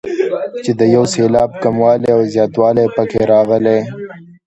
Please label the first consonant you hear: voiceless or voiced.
voiceless